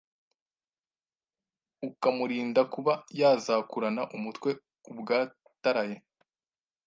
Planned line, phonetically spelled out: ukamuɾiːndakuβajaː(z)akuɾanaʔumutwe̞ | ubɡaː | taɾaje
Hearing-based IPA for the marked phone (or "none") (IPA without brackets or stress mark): z